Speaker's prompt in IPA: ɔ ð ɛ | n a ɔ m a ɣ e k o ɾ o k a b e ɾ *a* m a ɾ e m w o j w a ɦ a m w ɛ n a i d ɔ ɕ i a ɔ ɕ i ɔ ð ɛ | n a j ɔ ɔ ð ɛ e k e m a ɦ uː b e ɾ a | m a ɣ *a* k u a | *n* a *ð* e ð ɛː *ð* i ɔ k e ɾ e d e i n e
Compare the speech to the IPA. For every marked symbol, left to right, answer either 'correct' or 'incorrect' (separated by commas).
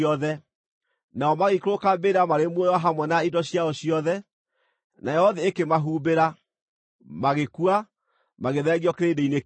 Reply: correct, incorrect, incorrect, incorrect, incorrect